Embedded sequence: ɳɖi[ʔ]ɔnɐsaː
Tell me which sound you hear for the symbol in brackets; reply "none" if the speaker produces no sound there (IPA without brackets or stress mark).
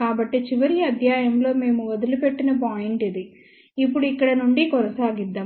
k